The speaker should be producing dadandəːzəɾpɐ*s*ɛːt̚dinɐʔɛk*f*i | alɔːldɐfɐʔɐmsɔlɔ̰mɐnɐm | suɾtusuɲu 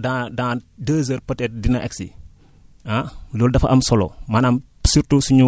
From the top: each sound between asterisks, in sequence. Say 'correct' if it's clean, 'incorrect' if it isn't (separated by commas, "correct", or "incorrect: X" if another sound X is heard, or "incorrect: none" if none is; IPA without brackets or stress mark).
incorrect: t, incorrect: s